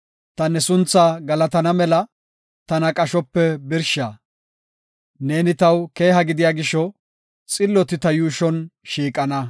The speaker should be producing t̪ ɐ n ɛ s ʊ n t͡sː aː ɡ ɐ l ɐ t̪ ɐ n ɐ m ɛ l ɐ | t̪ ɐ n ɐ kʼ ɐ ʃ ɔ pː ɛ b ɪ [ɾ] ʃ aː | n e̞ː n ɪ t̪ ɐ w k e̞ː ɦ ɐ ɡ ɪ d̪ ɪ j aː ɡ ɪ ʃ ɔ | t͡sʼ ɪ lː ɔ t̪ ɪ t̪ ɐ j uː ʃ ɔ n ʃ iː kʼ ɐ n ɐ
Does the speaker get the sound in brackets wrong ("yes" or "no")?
no